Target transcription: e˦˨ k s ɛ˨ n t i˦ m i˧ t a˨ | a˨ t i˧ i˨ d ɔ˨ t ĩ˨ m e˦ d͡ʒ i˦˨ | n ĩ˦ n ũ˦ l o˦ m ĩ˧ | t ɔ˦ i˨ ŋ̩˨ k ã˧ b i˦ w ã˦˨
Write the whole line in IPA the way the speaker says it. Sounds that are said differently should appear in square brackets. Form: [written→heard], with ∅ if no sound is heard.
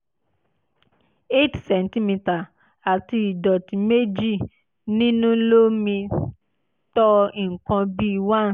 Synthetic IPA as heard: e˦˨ [k→t] s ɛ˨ n t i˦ m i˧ t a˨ | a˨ t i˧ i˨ d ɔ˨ t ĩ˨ m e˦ d͡ʒ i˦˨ | n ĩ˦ n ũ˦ l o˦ m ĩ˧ | t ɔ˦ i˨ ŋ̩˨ k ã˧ b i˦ w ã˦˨